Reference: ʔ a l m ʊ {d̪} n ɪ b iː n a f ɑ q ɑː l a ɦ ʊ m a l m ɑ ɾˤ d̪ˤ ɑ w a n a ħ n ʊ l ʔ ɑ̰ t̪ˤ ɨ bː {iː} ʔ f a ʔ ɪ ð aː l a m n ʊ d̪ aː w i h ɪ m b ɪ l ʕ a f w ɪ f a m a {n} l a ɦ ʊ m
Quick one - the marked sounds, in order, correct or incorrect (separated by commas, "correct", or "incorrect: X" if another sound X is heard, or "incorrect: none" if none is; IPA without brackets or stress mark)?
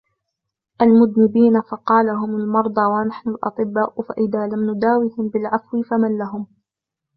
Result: correct, incorrect: aː, correct